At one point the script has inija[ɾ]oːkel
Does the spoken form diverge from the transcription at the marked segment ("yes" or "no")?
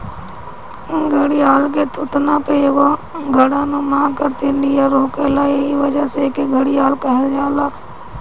no